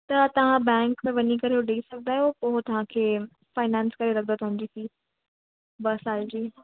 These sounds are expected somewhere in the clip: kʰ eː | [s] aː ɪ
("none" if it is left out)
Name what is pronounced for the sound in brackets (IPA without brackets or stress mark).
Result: f